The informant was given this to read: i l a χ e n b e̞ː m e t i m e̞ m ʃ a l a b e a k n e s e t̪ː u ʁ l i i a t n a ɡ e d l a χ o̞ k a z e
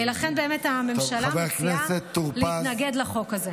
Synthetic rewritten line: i l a χ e n b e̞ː m e t a m e̞ m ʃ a l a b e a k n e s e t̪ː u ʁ l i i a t n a ɡ e d l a χ o̞ k a z e